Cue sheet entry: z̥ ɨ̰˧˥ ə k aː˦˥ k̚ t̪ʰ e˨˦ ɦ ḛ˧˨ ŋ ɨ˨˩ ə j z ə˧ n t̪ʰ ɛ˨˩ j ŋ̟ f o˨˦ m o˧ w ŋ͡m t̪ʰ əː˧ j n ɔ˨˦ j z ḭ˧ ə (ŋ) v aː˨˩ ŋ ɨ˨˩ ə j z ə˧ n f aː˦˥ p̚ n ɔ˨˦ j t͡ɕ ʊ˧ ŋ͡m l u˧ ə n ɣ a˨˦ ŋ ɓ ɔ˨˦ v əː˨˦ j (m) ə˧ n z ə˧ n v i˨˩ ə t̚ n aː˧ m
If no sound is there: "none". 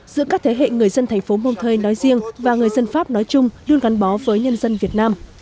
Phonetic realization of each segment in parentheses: ŋ, ɲ

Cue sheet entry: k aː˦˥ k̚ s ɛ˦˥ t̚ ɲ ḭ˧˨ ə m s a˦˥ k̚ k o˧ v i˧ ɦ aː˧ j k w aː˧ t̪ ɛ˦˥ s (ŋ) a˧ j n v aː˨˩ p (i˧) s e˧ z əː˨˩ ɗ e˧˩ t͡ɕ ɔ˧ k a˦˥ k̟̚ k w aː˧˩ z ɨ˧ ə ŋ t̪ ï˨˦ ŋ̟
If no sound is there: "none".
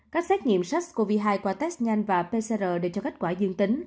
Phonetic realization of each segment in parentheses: ɲ, e˧

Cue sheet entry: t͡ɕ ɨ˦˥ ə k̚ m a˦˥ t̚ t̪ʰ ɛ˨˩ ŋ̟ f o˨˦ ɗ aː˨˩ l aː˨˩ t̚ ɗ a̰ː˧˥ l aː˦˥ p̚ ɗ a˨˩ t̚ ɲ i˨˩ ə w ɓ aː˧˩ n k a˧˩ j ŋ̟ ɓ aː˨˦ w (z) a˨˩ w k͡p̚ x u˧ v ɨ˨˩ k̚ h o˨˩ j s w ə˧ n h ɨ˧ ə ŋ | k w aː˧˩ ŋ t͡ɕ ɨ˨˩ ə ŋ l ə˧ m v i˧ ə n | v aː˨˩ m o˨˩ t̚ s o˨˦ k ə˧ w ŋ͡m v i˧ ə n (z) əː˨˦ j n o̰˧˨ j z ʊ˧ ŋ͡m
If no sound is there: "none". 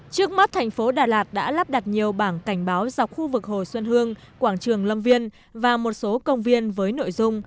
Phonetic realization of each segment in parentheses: z, v

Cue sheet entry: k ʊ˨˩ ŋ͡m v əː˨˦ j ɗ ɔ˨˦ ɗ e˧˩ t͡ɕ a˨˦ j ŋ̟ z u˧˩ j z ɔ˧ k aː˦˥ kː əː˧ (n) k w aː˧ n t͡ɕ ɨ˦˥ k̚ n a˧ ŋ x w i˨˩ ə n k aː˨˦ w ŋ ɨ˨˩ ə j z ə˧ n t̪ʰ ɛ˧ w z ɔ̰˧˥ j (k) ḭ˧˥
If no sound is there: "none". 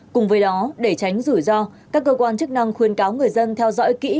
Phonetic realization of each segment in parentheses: none, k

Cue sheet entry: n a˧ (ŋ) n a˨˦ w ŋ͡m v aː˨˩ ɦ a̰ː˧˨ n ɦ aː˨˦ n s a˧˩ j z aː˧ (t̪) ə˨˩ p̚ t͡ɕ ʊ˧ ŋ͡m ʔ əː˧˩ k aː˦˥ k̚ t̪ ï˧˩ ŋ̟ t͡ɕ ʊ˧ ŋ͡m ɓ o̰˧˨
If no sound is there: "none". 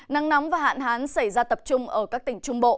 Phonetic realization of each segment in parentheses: ŋ, t̪

